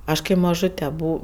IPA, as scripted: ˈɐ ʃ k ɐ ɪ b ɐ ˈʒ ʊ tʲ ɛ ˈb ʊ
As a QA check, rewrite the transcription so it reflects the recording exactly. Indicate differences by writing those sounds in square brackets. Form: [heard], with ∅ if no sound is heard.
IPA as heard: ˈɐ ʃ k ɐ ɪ [m] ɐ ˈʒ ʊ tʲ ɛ ˈb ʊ